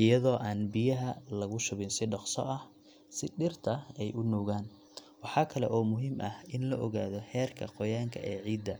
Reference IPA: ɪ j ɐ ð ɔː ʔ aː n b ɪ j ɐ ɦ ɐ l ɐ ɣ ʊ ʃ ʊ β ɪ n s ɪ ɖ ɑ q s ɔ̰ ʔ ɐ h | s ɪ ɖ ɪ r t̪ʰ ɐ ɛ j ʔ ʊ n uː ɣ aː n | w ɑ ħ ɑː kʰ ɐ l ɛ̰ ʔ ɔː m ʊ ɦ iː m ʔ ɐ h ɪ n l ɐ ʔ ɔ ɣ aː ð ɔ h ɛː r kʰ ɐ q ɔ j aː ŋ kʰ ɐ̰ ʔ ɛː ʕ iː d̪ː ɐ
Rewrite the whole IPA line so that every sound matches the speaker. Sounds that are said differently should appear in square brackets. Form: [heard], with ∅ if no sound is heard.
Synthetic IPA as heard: ɪ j ɐ ð ɔː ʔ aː n b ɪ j ɐ ɦ ɐ l ɐ ɣ ʊ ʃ ʊ β ɪ n s ɪ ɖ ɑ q s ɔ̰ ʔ ɐ h | s ɪ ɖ ɪ r t̪ʰ ɐ ɛ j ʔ ʊ n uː ɣ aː n | w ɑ ħ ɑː kʰ ɐ l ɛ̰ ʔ ɔː m ʊ ɦ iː m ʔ ɐ h ɪ n l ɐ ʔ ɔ ɣ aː ð ɔ h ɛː r kʰ ɐ q ɔ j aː ŋ kʰ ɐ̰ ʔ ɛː ʕ iː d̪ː ɐ

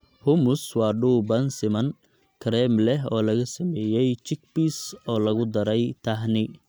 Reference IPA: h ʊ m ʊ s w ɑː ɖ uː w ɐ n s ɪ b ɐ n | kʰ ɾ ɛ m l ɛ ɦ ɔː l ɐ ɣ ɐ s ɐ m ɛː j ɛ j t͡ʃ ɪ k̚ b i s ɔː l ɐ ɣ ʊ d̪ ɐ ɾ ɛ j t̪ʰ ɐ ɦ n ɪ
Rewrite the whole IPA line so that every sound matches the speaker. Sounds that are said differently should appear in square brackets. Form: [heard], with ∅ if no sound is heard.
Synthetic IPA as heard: h ʊ m ʊ s w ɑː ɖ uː [b] ɐ n s ɪ [m] ɐ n | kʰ ɾ ɛ m l ɛ ɦ ɔː l ɐ ɣ ɐ s ɐ m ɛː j ɛ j t͡ʃ ɪ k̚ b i s ɔː l ɐ ɣ ʊ d̪ ɐ ɾ ɛ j t̪ʰ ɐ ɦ n ɪ

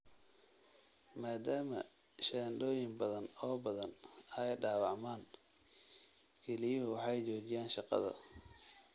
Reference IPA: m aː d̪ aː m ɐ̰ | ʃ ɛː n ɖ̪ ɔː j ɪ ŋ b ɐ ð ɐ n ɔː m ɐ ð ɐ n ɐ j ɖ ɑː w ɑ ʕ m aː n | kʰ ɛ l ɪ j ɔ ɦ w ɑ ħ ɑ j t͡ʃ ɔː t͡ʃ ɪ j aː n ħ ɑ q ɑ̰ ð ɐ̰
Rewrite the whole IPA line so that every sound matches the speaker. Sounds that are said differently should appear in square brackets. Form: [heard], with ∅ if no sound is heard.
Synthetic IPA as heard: m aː d̪ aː m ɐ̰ | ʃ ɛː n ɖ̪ ɔː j ɪ ŋ b ɐ ð ɐ n ɔː [b] ɐ ð ɐ n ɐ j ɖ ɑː w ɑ ʕ m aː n | kʰ ɛ l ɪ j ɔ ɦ w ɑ ħ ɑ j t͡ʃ ɔː t͡ʃ ɪ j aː n [ʃ] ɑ q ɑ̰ ð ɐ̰

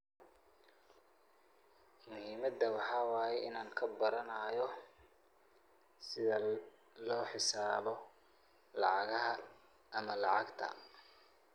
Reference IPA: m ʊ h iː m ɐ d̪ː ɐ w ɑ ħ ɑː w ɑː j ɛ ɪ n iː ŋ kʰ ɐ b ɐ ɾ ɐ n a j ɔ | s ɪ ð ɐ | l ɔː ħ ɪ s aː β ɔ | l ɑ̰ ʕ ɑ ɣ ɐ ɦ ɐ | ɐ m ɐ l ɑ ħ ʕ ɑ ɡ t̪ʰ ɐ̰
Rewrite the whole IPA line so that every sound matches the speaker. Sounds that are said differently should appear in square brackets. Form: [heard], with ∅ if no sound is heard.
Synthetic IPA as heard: m ʊ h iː m ɐ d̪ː ɐ w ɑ ħ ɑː w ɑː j ɛ ɪ n [aː] ŋ kʰ ɐ b ɐ ɾ ɐ n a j ɔ | s ɪ ð ɐ | l ɔː ħ ɪ s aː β ɔ | l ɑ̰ ʕ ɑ ɣ ɐ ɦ ɐ | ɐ m ɐ l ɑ [∅] ʕ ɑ ɡ t̪ʰ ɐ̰

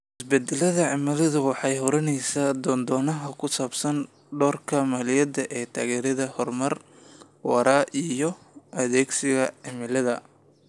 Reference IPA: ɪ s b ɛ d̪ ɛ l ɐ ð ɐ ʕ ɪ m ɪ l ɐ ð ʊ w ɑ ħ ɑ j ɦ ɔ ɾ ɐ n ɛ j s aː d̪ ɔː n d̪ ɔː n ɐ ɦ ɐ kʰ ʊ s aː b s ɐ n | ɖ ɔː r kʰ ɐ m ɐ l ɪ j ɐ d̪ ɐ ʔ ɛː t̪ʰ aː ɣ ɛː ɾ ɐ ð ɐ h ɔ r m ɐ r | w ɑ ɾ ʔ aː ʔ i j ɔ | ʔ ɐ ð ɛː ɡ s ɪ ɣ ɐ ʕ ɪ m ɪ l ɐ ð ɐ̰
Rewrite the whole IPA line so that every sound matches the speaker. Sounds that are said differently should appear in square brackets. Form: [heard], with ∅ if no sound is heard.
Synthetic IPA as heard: ɪ s b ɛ d̪ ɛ l ɐ ð ɐ ʕ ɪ m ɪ l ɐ ð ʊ w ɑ ħ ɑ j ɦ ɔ ɾ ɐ n ɛ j s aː d̪ ɔː n d̪ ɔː n ɐ ɦ ɐ kʰ ʊ s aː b s ɐ n | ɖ ɔː r kʰ ɐ m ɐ l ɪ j ɐ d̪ ɐ ʔ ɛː t̪ʰ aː ɣ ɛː ɾ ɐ ð ɐ h ɔ r m ɐ r | w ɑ ɾ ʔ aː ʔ i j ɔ | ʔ ɐ ð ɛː ɡ s ɪ ɣ ɐ ʕ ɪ m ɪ l ɐ ð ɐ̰

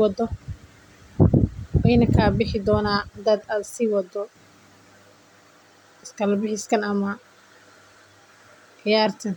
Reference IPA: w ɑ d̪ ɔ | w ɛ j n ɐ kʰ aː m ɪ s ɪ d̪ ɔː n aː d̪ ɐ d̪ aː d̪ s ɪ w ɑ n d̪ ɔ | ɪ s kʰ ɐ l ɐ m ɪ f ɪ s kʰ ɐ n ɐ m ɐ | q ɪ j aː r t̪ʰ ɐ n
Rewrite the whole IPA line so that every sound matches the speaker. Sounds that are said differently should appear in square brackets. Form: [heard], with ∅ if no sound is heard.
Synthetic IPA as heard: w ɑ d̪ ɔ | w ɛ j n ɐ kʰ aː [b] ɪ [ħ] ɪ d̪ ɔː n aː d̪ ɐ d̪ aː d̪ s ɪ w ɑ [∅] d̪ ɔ | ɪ s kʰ ɐ l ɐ [b] ɪ [ħ] ɪ s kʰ ɐ n ɐ m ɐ | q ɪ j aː r t̪ʰ ɐ n

